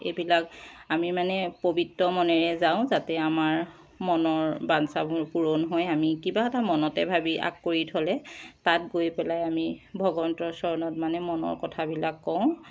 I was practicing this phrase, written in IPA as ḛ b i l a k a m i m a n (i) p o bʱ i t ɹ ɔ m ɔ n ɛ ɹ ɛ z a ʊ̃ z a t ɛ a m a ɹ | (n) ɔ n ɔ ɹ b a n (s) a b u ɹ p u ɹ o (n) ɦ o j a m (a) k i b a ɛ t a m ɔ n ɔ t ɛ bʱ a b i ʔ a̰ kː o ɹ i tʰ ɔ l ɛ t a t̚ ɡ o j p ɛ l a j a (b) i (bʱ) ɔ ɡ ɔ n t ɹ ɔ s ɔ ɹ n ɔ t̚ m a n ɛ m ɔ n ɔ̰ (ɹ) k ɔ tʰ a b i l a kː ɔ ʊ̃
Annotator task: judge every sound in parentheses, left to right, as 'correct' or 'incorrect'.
incorrect: ɛ, incorrect: m, correct, correct, incorrect: i, incorrect: m, correct, correct

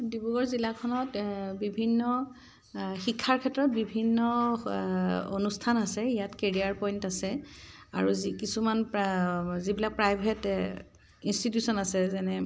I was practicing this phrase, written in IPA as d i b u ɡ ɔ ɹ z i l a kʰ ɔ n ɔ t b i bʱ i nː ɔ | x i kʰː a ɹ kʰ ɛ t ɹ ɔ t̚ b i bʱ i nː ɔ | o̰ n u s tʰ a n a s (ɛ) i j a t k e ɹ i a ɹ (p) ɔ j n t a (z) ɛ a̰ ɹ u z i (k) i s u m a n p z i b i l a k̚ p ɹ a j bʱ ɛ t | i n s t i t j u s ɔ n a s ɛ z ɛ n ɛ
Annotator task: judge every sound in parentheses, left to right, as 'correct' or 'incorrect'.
correct, correct, incorrect: s, correct

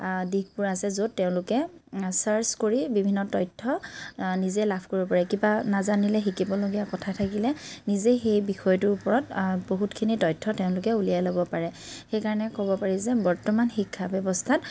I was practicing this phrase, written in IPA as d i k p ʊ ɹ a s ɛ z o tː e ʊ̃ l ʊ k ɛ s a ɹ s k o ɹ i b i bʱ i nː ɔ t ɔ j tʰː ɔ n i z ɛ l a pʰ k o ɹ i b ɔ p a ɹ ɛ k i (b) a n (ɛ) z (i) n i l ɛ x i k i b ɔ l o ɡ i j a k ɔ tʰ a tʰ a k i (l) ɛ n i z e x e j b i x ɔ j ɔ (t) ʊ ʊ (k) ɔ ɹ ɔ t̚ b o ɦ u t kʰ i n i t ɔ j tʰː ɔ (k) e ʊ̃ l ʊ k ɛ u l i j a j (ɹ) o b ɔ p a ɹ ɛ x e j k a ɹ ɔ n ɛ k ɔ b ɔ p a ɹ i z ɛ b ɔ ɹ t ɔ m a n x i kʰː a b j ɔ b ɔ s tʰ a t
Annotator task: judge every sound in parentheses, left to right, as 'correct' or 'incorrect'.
correct, incorrect: a, incorrect: a, correct, correct, incorrect: p, incorrect: t, incorrect: l

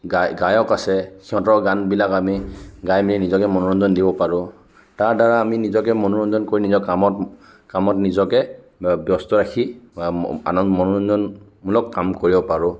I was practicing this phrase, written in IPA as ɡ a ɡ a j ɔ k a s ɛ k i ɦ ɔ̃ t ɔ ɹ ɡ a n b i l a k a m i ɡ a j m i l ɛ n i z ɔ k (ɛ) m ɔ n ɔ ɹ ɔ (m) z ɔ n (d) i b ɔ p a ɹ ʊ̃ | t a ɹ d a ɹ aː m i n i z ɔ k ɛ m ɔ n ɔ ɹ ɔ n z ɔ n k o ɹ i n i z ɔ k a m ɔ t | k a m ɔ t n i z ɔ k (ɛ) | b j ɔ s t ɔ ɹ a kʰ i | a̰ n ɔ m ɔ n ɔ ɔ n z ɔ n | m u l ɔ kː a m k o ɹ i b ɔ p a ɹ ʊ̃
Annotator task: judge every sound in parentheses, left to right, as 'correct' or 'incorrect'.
correct, incorrect: n, correct, correct

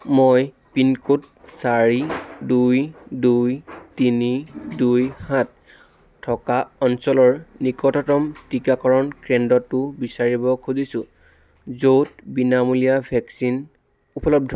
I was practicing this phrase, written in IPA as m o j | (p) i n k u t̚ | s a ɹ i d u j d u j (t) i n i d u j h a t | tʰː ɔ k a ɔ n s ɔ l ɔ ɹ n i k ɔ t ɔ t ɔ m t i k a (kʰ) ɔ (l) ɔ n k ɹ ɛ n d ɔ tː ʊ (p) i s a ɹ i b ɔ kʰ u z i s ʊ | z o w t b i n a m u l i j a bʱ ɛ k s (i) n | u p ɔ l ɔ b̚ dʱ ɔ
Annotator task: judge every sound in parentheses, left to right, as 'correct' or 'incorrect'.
correct, correct, incorrect: k, incorrect: ɹ, incorrect: b, correct

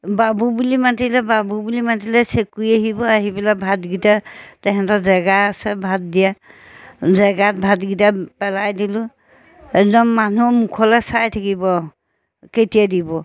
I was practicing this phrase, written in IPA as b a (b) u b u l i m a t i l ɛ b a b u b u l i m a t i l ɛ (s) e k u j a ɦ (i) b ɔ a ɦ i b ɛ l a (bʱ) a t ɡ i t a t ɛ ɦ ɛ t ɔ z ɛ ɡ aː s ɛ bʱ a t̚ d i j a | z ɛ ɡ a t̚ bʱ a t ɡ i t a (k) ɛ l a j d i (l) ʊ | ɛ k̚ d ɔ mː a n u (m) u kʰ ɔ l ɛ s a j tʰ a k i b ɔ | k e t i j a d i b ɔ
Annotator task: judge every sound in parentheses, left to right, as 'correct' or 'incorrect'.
correct, correct, correct, correct, incorrect: p, correct, correct

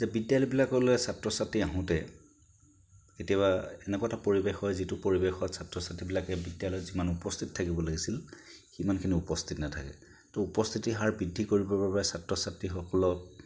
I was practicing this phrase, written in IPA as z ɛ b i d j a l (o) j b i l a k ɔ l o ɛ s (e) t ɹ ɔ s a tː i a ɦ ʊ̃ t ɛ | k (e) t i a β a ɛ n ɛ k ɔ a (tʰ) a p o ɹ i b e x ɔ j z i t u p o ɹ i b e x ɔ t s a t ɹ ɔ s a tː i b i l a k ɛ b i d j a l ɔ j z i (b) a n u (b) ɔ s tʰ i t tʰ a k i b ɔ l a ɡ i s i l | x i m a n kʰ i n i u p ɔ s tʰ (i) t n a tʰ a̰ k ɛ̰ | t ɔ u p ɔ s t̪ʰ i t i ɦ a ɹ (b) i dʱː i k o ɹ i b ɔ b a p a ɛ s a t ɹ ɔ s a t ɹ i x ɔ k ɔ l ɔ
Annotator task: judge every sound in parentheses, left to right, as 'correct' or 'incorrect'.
incorrect: ɔ, incorrect: a, correct, incorrect: t, incorrect: m, incorrect: p, correct, correct

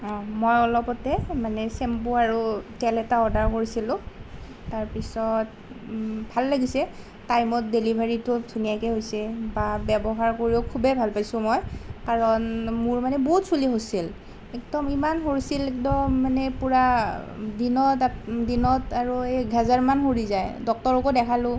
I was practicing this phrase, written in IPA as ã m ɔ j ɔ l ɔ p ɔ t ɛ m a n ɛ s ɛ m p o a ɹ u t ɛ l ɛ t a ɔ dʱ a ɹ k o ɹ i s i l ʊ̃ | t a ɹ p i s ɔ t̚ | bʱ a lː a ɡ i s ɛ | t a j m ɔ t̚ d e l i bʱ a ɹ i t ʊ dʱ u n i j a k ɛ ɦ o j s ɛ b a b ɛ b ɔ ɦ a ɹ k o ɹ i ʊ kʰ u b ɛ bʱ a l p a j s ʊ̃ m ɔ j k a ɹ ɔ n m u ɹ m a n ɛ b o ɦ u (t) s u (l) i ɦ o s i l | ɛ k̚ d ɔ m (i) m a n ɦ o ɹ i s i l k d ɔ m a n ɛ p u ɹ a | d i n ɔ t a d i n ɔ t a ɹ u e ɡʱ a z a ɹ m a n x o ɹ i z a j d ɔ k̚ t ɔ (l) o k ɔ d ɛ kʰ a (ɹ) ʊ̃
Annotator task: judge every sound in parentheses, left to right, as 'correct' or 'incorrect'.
correct, correct, correct, incorrect: ɹ, incorrect: l

